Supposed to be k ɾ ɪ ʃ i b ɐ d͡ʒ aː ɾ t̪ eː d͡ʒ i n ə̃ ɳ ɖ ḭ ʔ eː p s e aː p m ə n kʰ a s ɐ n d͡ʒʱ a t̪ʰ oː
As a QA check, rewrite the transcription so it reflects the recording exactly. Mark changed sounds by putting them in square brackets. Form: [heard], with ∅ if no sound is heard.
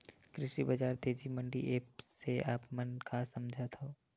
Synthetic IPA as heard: k ɾ ɪ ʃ i b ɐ d͡ʒ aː ɾ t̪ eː d͡ʒ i [m] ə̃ ɳ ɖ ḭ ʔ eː p s e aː p m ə n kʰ a s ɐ [m] d͡ʒʱ a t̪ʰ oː